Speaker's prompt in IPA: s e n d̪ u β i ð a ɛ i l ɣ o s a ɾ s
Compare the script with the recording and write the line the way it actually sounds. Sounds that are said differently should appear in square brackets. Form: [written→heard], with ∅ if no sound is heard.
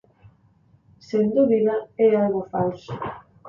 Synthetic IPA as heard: s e n d̪ u β i ð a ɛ [i→a] l ɣ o [s→f] a [ɾ→l] s